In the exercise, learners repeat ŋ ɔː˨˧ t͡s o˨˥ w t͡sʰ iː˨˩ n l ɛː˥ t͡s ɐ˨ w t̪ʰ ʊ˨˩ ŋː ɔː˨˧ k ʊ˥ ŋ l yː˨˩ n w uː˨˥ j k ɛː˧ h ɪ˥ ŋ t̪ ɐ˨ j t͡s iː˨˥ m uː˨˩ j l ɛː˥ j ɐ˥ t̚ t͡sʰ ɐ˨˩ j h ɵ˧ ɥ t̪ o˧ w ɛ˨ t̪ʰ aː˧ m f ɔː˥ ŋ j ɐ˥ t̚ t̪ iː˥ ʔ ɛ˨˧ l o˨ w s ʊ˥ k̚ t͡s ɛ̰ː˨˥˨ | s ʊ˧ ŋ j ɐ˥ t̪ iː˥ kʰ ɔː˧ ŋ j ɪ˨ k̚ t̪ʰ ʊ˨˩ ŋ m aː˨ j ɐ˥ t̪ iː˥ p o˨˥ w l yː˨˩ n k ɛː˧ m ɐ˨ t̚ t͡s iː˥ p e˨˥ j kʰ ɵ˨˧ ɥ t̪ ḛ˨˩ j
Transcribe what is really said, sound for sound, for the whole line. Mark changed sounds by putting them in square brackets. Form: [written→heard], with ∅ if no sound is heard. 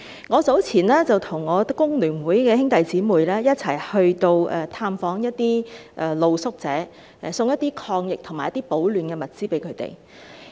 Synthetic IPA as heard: ŋ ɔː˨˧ t͡s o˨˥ w t͡sʰ iː˨˩ n l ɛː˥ t͡s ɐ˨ w t̪ʰ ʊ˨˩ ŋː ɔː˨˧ k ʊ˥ ŋ l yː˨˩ n w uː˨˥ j k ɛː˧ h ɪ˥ ŋ t̪ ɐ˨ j t͡s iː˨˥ m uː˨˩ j l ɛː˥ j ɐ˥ t̚ t͡sʰ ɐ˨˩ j h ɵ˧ ɥ t̪ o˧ w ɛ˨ t̪ʰ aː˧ m f [ɔː˥→ɔː˨˥] ŋ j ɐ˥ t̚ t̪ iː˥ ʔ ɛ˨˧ l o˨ w s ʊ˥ k̚ t͡s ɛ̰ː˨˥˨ | s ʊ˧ ŋ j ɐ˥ t̪ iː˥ kʰ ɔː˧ ŋ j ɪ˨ k̚ t̪ʰ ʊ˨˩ ŋ m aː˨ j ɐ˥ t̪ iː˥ p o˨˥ w l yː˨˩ n k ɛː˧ m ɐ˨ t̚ t͡s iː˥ p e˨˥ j kʰ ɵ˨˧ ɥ t̪ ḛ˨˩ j